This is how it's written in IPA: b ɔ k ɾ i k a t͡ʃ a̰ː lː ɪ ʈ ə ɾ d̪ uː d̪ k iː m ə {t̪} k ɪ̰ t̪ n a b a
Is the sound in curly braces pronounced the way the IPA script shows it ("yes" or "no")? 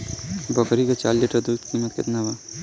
yes